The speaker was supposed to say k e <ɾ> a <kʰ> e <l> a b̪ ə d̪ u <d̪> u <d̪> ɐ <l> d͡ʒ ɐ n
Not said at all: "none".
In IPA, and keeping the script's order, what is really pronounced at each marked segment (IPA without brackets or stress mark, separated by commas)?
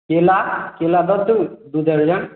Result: l, k, l, d̪, d̪, ɾ